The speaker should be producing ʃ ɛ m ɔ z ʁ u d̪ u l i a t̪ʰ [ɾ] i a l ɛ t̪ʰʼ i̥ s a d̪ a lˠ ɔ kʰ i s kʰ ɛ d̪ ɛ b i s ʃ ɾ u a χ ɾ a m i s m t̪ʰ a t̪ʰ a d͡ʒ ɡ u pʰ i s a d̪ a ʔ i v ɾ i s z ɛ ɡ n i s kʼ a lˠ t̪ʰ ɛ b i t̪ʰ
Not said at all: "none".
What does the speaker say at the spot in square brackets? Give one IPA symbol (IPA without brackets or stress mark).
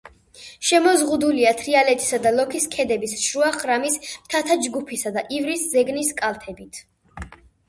ɾ